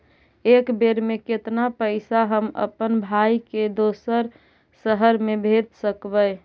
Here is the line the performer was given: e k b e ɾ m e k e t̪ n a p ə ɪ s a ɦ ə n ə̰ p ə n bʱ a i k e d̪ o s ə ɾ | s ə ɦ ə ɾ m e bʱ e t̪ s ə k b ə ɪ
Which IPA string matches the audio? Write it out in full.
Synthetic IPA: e k b e ɾ m e k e t̪ n a p ə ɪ s a ɦ ə m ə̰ p ə n bʱ a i k e d̪ o s ə ɾ | s ə ɦ ə ɾ m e bʱ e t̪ s ə k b ə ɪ